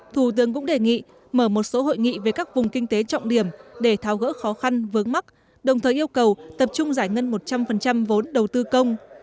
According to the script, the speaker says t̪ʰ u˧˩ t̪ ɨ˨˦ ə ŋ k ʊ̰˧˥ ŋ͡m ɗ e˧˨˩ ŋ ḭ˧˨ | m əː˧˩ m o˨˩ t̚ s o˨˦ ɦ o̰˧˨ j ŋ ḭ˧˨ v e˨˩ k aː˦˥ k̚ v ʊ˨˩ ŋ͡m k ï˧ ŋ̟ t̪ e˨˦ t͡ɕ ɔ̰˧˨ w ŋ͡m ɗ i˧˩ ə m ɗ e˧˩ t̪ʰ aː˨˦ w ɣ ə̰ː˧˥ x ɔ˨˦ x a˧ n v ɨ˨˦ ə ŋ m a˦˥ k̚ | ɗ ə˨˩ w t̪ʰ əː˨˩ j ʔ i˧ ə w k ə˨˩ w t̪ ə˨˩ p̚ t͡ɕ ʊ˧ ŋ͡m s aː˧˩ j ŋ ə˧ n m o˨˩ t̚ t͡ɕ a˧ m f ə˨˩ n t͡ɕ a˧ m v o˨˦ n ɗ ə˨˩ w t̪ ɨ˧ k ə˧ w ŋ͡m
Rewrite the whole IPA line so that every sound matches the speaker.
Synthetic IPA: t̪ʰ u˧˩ t̪ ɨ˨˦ ə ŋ k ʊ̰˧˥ ŋ͡m ɗ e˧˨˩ ŋ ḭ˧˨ | m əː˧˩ m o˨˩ t̚ s o˨˦ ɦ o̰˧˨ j ŋ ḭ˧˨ v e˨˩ k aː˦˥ k̚ v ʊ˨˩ ŋ͡m k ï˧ ŋ̟ t̪ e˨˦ t͡ɕ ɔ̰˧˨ w ŋ͡m ɗ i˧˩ ə m ɗ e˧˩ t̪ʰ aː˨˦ w ɣ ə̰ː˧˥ x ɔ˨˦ x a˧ n v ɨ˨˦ ə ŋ m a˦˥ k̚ | ɗ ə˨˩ w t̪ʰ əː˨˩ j ʔ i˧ ə w k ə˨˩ w t̪ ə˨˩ p̚ t͡ɕ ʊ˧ ŋ͡m z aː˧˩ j ŋ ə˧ n m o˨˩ t̚ t͡ɕ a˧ m f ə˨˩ n t͡ɕ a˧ m v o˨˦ n ɗ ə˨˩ w t̪ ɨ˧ k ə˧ w ŋ͡m